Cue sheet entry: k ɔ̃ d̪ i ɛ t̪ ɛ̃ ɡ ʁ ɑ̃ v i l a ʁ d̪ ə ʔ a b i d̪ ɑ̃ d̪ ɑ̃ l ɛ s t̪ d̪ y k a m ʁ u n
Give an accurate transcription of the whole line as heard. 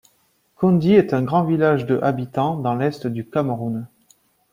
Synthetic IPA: k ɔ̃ d̪ i ɛ t̪ ɛ̃ ɡ ʁ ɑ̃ v i l a ʒ d̪ ə ʔ a b i t̪ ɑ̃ d̪ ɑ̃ l ɛ s t̪ d̪ y k a m ʁ u n